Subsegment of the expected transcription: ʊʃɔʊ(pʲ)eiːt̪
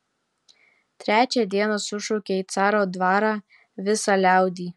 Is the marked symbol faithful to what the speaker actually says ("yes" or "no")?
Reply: no